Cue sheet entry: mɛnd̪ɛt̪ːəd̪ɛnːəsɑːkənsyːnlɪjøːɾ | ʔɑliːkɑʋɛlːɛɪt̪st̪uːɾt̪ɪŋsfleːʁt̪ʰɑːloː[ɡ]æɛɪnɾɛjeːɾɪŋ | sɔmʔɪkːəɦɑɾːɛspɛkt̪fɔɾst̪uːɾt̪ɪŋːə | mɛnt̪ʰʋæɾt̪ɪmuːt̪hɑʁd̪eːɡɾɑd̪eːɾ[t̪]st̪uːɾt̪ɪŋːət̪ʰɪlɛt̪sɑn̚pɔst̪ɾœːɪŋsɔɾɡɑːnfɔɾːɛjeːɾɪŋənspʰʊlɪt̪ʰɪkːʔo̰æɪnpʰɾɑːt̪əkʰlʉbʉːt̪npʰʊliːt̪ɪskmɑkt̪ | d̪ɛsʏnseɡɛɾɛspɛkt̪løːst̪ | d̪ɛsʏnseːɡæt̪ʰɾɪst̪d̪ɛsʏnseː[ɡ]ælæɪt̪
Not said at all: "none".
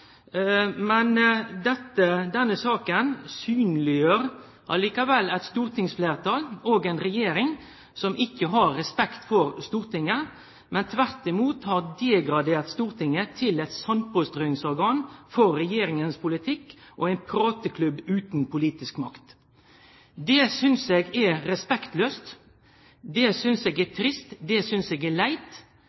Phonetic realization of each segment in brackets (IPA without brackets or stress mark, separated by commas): ɡ, t̪, ɡ